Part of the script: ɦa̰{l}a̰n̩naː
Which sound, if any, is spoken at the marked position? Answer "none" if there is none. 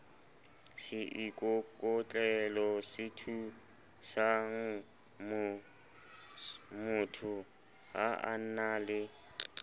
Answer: none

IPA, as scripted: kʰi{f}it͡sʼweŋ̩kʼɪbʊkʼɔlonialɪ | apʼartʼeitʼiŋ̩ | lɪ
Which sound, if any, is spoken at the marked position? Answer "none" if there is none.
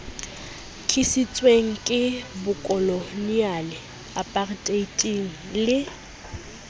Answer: s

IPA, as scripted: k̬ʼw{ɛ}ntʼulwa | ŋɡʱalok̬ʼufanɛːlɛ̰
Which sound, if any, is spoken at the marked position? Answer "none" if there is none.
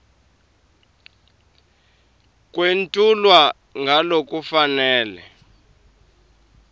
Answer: e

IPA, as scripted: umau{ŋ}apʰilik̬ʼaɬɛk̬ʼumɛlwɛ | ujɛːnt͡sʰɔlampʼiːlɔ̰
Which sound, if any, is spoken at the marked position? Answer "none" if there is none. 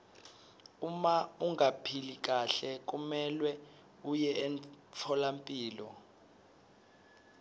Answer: ŋ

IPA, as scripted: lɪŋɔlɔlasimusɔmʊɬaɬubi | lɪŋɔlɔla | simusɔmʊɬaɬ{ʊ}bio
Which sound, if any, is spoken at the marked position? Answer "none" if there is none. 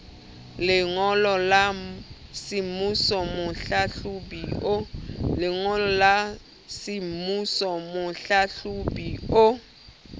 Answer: u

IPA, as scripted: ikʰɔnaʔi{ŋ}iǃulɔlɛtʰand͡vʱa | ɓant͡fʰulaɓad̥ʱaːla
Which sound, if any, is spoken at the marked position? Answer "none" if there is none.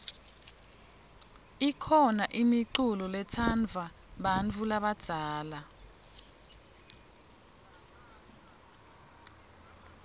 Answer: m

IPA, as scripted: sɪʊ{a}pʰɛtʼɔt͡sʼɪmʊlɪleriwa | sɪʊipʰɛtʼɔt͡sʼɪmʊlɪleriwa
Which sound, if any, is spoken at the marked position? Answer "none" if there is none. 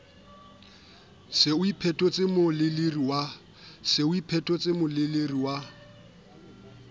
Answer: i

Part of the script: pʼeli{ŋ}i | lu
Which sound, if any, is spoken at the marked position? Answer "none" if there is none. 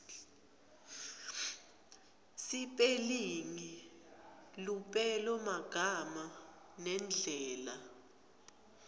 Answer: ŋ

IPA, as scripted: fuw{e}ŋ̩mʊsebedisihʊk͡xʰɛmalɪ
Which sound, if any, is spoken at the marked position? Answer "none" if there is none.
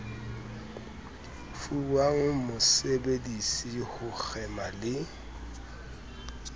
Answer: a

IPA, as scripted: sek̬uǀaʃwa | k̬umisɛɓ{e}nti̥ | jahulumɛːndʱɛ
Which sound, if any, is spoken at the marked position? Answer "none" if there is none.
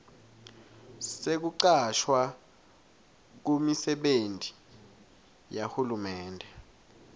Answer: e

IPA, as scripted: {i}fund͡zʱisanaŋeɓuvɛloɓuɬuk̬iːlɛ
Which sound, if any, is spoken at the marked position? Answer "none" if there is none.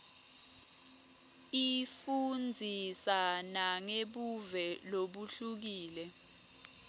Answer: i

